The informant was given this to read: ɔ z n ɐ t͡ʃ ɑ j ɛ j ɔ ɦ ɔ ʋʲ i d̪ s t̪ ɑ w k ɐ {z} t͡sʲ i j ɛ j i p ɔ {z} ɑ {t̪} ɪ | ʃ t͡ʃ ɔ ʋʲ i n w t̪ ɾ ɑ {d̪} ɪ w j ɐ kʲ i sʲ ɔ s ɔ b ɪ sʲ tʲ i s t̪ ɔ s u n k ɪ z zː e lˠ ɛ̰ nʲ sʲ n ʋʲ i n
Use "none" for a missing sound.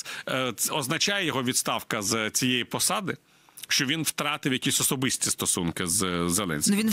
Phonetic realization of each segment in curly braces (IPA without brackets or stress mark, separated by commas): z, s, d̪, t̪